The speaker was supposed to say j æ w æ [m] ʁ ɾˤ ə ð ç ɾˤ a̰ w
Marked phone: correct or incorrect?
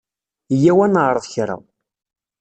incorrect